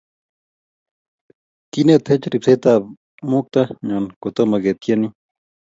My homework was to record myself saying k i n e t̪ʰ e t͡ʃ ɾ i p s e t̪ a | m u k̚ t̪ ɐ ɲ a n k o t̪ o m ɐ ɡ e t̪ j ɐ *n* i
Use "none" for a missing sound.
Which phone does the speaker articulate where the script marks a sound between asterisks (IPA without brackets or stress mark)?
n